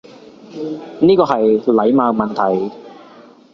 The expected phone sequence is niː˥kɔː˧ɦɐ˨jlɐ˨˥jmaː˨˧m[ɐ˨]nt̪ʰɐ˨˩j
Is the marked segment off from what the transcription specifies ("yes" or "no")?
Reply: no